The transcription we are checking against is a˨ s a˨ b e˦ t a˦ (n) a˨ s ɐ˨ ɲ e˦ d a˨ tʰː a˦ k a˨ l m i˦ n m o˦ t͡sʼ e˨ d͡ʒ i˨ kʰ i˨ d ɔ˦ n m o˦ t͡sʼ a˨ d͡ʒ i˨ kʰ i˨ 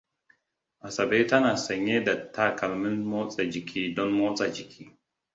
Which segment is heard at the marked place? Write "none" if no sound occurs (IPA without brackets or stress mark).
n